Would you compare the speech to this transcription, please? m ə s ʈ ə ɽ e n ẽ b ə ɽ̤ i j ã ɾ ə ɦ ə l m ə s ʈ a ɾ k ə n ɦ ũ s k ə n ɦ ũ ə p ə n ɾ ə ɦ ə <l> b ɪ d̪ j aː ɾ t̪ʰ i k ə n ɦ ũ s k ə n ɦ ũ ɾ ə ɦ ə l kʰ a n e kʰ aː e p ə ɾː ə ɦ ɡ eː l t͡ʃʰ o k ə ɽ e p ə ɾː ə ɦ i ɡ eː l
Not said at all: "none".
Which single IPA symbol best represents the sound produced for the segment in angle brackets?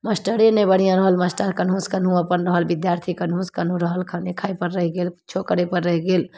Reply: l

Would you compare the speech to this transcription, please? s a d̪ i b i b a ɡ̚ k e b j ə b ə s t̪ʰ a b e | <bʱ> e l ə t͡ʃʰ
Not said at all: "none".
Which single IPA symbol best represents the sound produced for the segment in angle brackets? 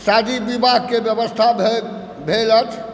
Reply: bʱ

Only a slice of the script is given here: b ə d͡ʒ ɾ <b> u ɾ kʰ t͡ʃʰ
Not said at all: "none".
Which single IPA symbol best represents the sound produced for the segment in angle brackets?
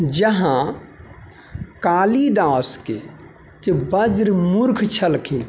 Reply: m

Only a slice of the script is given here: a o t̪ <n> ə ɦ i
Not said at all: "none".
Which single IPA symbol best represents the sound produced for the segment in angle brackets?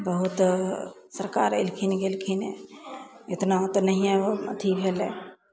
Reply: n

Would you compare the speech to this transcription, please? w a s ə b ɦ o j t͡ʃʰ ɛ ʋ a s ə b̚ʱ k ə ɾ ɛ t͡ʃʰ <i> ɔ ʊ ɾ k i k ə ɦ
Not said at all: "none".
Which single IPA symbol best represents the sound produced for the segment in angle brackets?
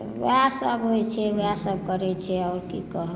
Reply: ɛ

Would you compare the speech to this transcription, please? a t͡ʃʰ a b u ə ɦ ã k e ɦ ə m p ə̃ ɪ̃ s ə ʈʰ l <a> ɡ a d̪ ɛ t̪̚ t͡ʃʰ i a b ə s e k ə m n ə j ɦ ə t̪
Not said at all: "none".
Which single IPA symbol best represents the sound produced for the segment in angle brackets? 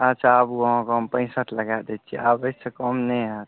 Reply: ə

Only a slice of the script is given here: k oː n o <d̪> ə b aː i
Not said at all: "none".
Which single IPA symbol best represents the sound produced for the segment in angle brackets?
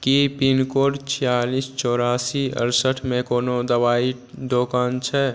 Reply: d̪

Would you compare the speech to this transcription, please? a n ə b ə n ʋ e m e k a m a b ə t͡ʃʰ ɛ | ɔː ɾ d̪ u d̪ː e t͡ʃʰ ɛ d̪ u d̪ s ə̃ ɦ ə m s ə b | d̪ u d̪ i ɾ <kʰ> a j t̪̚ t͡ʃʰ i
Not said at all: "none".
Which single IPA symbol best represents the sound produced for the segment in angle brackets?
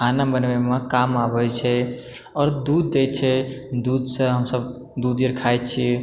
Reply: kʰ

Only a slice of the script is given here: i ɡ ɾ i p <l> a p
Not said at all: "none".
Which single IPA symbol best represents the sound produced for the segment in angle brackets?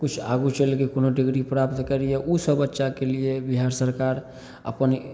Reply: ɾ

